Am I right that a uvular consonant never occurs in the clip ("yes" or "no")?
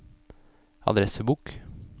yes